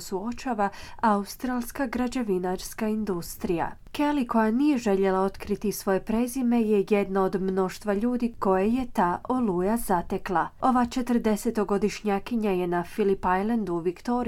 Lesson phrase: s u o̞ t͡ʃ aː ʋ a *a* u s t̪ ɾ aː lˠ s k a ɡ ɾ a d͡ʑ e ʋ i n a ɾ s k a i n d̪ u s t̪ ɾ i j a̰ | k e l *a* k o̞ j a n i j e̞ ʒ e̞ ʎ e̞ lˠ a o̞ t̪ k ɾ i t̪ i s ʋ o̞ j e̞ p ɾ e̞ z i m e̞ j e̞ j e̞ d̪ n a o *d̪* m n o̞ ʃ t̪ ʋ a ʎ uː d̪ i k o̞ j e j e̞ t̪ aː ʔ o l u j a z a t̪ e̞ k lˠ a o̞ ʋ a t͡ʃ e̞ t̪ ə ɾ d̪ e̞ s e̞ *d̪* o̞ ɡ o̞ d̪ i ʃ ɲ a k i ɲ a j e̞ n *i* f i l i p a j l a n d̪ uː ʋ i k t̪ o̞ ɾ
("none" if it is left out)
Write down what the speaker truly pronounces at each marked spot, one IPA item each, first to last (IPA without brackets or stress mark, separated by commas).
a, i, d̪, t̪, a